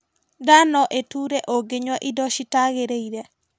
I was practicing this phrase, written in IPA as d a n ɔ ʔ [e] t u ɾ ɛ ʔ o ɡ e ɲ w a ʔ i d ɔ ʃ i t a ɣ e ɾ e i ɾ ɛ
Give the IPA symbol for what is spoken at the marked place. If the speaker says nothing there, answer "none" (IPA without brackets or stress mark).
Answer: e